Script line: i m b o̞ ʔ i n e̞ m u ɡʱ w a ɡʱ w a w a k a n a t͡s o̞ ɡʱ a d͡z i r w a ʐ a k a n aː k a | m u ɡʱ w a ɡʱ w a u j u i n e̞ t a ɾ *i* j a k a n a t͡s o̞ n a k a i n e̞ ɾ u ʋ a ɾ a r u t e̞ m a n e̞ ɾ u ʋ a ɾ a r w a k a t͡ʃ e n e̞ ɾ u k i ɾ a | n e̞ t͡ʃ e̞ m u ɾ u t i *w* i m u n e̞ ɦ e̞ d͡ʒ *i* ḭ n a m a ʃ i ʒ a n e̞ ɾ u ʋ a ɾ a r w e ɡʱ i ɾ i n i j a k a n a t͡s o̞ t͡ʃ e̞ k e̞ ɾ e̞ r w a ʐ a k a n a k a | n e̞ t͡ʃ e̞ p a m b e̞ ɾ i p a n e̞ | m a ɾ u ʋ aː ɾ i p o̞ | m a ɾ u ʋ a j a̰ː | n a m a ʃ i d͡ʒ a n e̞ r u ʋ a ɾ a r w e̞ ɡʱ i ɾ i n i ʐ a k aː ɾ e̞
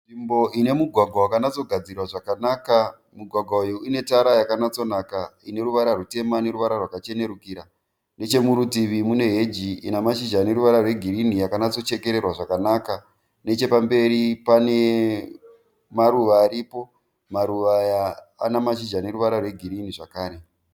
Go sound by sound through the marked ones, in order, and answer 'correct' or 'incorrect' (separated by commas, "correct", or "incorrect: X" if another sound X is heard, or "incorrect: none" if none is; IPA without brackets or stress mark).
incorrect: a, incorrect: ʋ, correct